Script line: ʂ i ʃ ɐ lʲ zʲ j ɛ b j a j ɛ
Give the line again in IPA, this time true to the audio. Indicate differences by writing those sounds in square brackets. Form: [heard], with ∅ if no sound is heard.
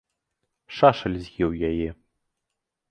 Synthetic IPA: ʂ [a] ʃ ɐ lʲ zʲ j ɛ [w] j a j ɛ